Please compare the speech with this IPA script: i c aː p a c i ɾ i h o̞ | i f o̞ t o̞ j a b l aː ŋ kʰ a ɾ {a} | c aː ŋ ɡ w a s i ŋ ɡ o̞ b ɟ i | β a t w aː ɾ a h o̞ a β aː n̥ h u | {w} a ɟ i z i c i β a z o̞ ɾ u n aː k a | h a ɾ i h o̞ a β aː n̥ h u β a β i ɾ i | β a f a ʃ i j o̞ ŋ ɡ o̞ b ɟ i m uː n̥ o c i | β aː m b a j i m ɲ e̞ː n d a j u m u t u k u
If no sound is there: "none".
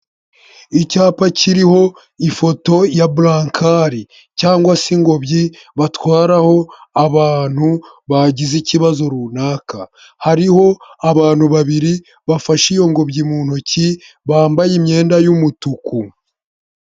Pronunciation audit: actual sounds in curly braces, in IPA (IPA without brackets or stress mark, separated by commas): i, β